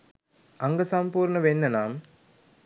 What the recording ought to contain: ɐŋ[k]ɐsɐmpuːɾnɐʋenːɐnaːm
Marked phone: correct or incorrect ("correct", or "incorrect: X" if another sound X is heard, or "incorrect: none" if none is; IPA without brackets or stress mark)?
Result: incorrect: ɡ